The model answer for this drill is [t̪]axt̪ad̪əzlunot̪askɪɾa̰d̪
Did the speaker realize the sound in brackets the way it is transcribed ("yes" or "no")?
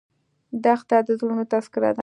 no